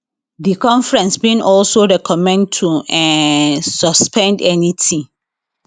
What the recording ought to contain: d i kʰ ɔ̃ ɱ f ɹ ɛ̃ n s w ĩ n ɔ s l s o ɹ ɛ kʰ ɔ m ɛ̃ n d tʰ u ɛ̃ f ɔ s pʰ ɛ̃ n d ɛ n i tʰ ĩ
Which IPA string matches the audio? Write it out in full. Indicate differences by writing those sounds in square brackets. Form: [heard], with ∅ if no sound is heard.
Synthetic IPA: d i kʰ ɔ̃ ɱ f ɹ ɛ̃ n s [b] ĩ n ɔ [∅] l s o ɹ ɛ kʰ ɔ m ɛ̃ n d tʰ u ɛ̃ [s] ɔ s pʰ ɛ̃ n d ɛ n i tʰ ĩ